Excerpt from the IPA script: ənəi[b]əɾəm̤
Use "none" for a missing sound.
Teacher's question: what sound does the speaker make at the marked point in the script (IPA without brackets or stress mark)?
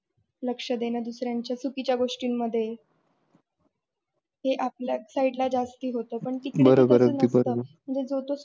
b